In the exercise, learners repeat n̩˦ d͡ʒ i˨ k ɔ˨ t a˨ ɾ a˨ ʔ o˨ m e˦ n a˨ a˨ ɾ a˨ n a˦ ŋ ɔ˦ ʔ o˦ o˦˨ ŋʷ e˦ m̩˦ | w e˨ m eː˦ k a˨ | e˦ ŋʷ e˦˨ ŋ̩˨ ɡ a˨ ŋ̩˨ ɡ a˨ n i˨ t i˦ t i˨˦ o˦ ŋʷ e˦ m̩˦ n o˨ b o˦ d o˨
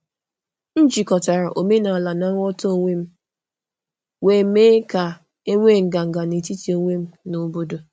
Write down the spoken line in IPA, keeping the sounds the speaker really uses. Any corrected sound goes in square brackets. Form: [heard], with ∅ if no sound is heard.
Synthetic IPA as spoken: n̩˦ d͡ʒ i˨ k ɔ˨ t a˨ ɾ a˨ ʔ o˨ m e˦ n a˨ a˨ [l] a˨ n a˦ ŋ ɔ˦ [t] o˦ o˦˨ ŋʷ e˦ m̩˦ | w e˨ m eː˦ k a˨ | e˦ ŋʷ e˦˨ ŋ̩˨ ɡ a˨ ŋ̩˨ ɡ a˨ n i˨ t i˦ t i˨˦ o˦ ŋʷ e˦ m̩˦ n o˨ b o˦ d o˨